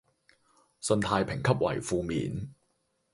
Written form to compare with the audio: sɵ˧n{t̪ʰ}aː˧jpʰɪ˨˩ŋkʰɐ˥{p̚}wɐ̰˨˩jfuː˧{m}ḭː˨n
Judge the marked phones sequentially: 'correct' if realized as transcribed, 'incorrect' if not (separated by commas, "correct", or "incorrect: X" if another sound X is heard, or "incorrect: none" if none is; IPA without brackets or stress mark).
correct, correct, correct